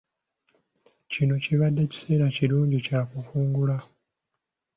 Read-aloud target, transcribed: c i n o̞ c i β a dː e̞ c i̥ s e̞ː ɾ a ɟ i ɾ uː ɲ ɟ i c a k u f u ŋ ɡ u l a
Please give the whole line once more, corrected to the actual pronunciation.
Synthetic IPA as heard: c i n o̞ c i β a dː e̞ c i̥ s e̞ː ɾ a c i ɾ uː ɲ ɟ i c a k u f uː ŋ ɡ u l a